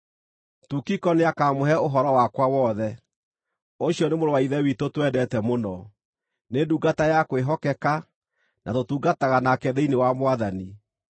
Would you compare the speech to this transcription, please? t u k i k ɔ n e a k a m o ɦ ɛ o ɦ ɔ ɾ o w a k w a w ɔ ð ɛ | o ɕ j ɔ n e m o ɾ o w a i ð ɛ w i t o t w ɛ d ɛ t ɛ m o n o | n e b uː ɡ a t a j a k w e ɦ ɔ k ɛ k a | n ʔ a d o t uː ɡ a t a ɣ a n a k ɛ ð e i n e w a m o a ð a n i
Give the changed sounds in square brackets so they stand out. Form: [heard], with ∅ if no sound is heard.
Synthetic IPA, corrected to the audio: t u k i k ɔ n e a k a m o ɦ ɛ o ɦ ɔ ɾ [ɔ] w a k w a w ɔ ð ɛ | o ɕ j ɔ n e m o ɾ o w a i ð ɛ w i t o t w ɛ d ɛ t ɛ m o n [ɔ] | n e [d] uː ɡ a t a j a k w e ɦ ɔ k ɛ k a | n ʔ a [t] o t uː ɡ a t a ɣ a n a k ɛ ð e i n e w a m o a ð a n i